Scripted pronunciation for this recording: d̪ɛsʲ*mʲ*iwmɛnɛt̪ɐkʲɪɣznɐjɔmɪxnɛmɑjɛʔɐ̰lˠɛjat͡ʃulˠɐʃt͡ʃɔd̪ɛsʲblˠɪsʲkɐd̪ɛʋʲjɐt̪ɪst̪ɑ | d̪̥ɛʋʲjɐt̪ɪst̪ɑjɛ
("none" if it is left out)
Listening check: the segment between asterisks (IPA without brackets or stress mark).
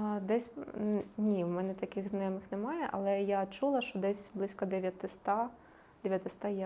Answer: nʲ